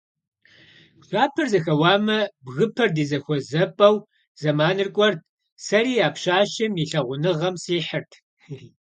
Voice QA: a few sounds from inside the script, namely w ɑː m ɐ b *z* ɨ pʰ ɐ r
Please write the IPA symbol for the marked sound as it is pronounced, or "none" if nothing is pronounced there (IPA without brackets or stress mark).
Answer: ɣ